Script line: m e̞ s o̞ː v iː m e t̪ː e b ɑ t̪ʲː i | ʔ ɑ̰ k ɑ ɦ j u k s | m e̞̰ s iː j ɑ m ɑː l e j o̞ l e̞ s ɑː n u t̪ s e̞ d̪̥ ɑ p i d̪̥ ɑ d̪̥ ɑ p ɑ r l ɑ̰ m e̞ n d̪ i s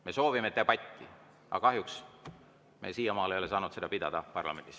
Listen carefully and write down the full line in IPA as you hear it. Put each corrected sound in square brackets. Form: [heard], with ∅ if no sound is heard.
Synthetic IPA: m e̞ s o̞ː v [i] m e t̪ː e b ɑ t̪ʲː i | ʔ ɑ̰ k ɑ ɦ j u k s | m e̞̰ s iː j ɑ m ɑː l e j o̞ l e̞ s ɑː n u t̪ s e̞ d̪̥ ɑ p i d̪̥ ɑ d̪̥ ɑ p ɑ r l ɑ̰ m e̞ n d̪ i s

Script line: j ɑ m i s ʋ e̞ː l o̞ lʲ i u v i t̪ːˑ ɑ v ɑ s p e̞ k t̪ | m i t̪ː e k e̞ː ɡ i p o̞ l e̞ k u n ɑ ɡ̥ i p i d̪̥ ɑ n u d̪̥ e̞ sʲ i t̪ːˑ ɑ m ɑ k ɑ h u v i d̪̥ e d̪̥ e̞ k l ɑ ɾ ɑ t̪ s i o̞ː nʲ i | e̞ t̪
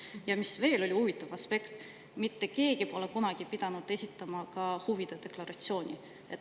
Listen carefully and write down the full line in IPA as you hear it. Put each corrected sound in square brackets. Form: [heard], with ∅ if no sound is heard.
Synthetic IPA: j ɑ m i s [v] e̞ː l o̞ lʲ i u v i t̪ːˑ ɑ v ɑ s p e̞ k t̪ | m i t̪ː e k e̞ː ɡ i p o̞ l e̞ k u n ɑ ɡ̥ i p i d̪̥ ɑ n u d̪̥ e̞ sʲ i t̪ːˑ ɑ m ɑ k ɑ h u v i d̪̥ e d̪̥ e̞ k l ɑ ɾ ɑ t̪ s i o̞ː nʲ i | e̞ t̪

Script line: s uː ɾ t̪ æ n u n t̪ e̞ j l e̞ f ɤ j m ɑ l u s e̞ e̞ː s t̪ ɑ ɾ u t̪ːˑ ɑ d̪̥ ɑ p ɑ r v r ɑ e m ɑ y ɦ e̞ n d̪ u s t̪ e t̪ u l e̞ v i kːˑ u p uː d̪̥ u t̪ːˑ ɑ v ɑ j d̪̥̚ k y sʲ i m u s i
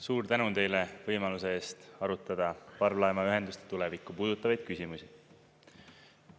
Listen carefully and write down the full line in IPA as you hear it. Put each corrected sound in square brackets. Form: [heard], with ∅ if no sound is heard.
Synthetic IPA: s uː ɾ t̪ æ n u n t̪ e̞ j l e̞ [v] ɤ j m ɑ l u s e̞ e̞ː s t̪ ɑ ɾ u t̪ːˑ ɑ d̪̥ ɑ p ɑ r v [l] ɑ e m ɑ y ɦ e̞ n d̪ u s t̪ e t̪ u l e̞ v i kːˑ u p uː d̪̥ u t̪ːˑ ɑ v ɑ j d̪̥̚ k y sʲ i m u s i

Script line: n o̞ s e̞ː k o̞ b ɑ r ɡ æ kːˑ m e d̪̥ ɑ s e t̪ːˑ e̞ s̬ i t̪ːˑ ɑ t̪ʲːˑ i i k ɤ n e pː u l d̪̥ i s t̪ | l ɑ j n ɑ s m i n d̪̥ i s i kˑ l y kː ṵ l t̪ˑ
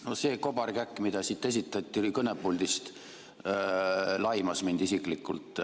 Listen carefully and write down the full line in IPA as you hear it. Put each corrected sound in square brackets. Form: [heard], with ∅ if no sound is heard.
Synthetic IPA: n o̞ s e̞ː k o̞ b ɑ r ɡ æ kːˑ m [i] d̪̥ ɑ s [i] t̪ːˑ e̞ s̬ i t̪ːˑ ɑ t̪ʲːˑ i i k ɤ n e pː u l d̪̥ i s t̪ | l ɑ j [m] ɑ s m i n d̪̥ i s i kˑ l [i] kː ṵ l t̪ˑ

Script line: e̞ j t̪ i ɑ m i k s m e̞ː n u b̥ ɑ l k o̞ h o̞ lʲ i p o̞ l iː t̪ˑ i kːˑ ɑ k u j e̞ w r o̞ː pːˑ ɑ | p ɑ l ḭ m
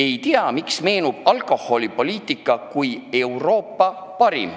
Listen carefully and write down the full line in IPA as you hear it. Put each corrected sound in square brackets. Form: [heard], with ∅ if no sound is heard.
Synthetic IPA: e̞ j t̪ i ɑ m i k s m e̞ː n u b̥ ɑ l k o̞ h o̞ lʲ i p o̞ l iː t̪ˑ i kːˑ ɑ k u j e̞ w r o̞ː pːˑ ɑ | p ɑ [ɾ] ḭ m

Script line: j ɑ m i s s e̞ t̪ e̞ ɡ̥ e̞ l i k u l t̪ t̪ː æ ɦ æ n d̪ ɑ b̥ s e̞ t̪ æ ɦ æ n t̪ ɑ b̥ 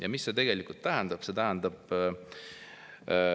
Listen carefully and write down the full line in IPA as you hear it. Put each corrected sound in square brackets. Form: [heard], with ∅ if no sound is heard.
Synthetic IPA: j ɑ m i s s e̞ t̪ e̞ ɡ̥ e̞ l i k u l t̪ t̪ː æ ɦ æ n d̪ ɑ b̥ s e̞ t̪ æ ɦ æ n [d̪] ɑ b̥

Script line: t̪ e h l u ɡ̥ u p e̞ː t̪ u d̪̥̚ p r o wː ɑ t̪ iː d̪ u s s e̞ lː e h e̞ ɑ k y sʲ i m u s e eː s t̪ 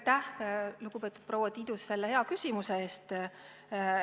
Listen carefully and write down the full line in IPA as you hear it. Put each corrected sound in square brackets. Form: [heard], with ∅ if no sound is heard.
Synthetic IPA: t̪ [æ] h l u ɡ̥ u p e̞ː t̪ u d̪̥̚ p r o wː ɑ t̪ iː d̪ u s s e̞ lː e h e̞ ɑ k y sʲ i m u s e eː s t̪

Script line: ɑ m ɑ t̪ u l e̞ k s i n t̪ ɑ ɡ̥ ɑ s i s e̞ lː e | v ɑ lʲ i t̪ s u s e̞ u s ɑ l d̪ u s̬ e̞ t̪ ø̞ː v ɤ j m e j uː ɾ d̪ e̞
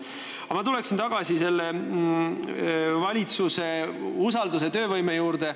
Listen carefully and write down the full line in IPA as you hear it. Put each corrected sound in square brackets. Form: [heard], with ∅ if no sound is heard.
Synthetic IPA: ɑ m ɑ t̪ u l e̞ k s i n t̪ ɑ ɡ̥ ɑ s i s e̞ lː e | v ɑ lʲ i t̪ s u s e̞ u s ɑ l d̪ u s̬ e̞ t̪ ø̞ː v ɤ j m e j uː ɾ d̪ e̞

